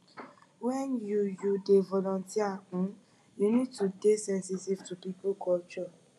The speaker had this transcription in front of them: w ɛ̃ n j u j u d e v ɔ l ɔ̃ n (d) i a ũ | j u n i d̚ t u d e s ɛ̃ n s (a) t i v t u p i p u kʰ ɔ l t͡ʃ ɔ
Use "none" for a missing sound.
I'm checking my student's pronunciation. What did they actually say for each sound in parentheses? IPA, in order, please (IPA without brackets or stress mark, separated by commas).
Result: t, i